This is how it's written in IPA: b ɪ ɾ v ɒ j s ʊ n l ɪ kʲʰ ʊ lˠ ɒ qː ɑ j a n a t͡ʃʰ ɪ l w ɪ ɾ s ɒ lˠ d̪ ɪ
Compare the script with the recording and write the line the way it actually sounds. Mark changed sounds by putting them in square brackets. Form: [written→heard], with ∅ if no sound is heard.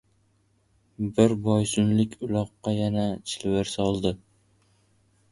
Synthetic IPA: b ɪ ɾ [v→b] ɒ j s ʊ n l ɪ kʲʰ ʊ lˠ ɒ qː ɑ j a n a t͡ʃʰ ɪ l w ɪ ɾ s ɒ lˠ d̪ ɪ